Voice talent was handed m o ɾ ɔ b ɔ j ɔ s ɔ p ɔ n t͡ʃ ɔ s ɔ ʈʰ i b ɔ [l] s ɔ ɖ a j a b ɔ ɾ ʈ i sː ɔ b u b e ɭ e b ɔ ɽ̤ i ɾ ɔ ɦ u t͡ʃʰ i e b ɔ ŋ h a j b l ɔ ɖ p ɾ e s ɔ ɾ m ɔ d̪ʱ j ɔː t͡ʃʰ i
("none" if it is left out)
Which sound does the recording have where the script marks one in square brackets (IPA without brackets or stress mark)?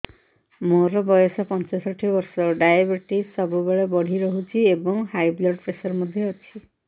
ɾ